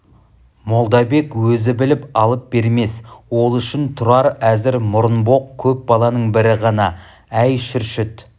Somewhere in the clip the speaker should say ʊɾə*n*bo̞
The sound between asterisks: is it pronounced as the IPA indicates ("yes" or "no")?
yes